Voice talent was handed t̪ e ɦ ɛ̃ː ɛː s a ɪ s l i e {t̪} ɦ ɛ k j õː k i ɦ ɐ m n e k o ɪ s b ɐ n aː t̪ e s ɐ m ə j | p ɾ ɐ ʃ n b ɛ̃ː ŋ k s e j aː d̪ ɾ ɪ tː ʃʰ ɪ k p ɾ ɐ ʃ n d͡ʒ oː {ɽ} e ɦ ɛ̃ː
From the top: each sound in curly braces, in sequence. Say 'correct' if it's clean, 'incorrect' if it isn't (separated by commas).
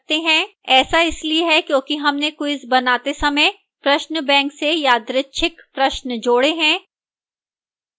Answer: incorrect, correct